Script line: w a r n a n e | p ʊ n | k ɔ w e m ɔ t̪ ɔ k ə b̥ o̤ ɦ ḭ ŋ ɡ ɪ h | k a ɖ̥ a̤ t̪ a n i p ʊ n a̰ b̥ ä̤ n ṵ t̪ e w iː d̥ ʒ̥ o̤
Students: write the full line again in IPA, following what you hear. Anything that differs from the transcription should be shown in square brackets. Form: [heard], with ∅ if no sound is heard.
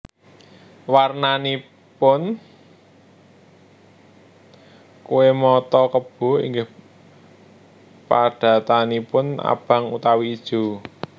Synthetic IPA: w a r n a n [i] | p ʊ n | k [u] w e m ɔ t̪ ɔ k ə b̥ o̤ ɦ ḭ ŋ ɡ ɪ h | [p] a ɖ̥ a̤ t̪ a n i p ʊ n a̰ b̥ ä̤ [ŋ] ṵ t̪ [a] w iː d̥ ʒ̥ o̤